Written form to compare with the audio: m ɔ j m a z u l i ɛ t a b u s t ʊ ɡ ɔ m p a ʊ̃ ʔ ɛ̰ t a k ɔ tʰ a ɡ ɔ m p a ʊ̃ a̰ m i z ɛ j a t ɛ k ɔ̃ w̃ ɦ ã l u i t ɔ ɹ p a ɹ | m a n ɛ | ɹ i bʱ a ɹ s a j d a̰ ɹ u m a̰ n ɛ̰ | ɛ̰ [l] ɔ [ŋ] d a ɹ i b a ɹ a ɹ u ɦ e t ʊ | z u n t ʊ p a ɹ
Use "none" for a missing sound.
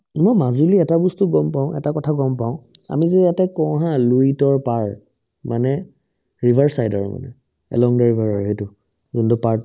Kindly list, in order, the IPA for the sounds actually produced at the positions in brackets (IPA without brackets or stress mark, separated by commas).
l, ŋ